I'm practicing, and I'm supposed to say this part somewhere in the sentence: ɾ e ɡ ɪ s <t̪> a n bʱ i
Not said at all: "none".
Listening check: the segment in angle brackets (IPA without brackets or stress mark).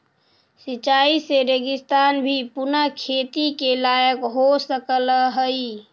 t̪